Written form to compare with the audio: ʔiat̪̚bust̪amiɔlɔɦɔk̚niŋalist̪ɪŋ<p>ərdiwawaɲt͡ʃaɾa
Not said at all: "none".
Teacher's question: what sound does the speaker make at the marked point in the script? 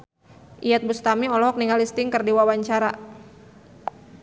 k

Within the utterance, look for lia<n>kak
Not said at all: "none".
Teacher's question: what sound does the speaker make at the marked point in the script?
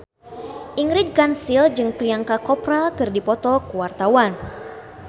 ŋ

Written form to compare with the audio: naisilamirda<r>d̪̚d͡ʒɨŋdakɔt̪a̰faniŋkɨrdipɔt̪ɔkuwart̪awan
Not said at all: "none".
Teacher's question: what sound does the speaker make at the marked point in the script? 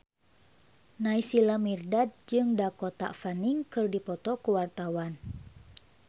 none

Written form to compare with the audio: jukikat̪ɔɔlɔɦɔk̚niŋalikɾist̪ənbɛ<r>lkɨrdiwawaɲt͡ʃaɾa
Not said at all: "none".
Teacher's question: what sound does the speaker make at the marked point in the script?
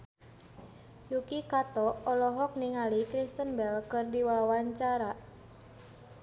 none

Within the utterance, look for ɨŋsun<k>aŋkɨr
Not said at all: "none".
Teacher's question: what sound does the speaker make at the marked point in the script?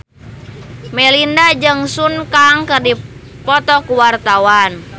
k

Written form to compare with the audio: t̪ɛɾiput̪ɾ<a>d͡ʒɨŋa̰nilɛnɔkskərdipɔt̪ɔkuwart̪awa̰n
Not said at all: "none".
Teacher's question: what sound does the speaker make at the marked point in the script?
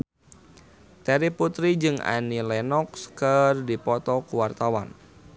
i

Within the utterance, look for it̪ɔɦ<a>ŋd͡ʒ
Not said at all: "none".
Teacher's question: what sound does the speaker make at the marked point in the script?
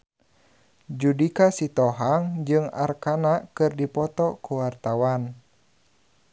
a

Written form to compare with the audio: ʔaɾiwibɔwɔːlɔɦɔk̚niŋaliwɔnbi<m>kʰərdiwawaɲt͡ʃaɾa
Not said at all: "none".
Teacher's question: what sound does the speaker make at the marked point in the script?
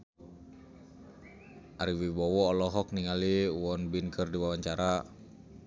n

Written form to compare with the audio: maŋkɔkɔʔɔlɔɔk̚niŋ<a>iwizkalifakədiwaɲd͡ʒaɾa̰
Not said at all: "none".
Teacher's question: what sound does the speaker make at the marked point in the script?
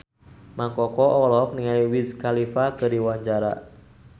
a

